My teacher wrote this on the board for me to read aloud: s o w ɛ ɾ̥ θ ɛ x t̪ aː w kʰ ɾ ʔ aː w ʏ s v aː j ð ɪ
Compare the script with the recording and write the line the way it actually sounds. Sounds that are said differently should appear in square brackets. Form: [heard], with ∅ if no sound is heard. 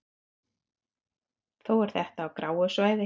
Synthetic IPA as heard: [θ] o w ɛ ɾ̥ θ ɛ [h] t̪ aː w [k] ɾ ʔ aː w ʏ s v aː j ð ɪ